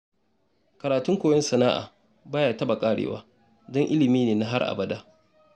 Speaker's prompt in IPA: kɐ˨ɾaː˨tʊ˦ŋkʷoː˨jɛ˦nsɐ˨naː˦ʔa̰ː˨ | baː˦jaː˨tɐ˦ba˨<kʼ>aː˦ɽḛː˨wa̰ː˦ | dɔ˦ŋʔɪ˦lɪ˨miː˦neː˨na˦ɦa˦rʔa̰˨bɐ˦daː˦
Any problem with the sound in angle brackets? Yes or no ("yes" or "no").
no